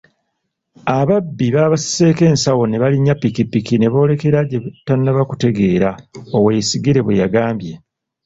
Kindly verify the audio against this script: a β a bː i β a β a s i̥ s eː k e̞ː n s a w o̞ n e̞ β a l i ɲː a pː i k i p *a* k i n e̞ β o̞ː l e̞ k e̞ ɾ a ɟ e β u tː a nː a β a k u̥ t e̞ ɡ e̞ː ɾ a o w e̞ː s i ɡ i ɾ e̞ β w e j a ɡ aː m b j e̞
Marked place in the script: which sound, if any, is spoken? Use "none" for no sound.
i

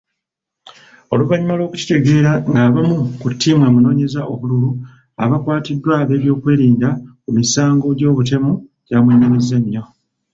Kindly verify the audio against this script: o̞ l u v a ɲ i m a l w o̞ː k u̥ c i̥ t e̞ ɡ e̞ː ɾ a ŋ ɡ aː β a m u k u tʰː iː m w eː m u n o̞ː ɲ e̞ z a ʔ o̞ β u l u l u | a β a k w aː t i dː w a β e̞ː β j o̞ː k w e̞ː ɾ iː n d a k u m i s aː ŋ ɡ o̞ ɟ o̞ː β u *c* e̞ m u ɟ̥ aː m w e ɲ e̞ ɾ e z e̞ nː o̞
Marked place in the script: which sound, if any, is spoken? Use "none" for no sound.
t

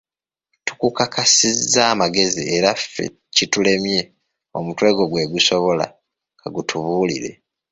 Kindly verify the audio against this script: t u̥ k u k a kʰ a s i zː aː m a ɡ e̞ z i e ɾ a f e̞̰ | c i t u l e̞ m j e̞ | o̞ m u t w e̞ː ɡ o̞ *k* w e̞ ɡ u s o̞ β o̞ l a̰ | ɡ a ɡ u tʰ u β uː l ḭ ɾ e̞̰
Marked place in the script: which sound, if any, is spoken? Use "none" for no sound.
ɡ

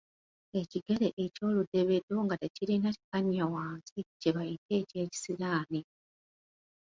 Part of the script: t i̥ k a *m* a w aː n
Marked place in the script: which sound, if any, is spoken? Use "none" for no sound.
ɲ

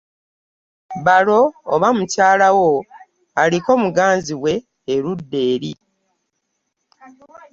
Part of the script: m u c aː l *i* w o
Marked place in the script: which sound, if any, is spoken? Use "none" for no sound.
a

